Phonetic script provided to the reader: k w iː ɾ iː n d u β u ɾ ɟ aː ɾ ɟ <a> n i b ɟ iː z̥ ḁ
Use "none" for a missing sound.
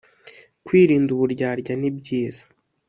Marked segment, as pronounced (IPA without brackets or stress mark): a